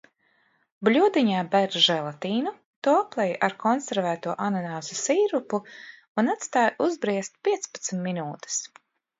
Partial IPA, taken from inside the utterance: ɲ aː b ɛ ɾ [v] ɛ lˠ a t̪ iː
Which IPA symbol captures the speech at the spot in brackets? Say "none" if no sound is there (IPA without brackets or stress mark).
ʒ